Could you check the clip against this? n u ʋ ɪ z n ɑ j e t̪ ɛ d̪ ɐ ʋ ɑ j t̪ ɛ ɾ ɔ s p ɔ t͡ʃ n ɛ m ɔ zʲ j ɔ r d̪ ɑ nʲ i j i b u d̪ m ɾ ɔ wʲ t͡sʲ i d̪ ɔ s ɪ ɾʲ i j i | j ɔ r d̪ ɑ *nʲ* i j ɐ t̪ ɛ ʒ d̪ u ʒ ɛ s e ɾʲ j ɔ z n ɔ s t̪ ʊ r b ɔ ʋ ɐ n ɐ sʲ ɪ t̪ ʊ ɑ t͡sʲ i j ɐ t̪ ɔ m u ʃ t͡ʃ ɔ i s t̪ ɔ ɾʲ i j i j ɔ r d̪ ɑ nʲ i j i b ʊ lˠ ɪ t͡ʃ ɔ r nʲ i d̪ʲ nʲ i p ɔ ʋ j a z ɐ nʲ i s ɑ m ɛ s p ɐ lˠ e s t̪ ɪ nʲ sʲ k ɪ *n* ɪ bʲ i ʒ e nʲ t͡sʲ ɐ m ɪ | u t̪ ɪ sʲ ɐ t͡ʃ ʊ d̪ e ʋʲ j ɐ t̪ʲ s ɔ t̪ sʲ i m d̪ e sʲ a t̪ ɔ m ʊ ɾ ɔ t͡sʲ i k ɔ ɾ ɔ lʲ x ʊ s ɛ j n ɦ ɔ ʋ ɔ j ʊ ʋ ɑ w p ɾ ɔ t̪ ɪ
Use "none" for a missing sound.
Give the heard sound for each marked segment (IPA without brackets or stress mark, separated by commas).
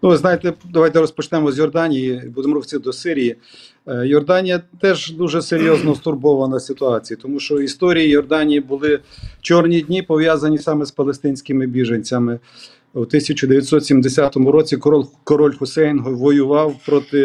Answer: nʲ, m